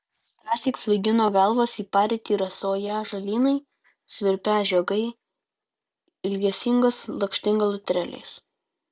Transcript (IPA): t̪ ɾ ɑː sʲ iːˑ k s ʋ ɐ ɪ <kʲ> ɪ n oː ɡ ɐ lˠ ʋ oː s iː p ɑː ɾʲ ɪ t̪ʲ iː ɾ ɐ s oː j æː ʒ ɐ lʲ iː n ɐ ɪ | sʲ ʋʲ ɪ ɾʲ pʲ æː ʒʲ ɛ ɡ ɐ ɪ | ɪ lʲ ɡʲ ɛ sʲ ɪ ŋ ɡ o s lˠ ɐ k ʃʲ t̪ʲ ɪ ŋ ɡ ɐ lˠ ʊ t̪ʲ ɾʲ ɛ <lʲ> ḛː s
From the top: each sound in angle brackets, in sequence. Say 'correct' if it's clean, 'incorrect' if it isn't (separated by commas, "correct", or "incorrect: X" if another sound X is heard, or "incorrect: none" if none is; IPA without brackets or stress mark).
incorrect: ɡʲ, correct